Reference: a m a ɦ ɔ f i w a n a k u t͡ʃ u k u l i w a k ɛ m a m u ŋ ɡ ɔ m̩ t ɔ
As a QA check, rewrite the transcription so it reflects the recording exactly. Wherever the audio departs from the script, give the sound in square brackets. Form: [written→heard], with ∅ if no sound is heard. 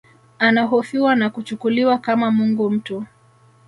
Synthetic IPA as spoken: a [m→n] a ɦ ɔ f i w a n a k u t͡ʃ u k u l i w a k [ɛ→a] m a m u ŋ ɡ [ɔ→u] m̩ t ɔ